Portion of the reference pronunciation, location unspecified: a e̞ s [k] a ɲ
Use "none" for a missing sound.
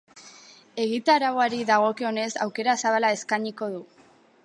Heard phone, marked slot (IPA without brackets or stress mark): k